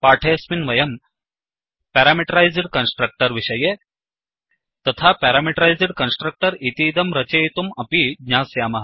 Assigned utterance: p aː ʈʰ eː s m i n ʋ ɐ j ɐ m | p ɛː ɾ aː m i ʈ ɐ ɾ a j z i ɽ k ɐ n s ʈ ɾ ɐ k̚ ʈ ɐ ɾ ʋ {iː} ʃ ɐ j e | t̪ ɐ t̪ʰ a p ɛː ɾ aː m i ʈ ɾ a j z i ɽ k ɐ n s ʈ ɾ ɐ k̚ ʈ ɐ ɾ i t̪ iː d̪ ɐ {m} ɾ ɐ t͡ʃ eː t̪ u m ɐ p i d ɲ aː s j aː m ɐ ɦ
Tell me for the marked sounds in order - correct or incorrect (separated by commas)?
incorrect, correct